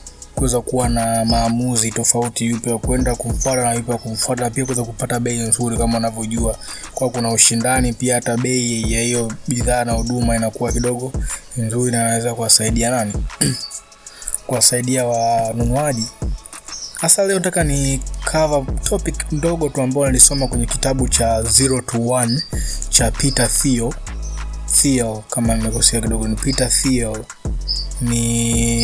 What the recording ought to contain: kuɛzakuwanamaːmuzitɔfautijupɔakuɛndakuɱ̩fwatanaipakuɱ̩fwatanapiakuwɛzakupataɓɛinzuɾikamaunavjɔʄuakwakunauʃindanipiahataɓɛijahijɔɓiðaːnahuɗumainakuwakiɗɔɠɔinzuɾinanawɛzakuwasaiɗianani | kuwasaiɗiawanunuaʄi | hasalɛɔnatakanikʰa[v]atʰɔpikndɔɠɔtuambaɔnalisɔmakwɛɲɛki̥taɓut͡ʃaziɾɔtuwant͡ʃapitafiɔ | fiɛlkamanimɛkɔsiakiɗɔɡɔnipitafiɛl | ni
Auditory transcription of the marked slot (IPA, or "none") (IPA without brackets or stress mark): v